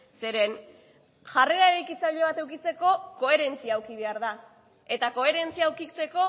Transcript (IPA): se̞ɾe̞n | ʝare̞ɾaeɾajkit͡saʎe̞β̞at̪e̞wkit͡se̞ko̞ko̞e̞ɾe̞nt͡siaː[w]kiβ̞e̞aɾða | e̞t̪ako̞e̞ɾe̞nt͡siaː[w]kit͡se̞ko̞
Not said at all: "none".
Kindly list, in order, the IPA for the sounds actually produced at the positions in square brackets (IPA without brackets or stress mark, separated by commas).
w, w